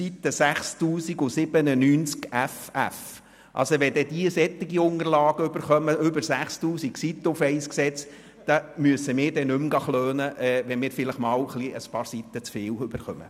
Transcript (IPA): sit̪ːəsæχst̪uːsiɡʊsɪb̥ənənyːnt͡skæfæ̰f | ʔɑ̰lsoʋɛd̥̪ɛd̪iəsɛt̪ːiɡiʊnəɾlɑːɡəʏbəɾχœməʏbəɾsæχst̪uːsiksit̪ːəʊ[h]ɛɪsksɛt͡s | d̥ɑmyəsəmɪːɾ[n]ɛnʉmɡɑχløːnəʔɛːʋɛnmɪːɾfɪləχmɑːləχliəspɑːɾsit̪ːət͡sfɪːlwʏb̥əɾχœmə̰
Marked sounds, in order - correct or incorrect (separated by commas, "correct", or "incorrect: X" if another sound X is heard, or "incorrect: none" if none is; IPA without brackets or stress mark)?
incorrect: f, incorrect: d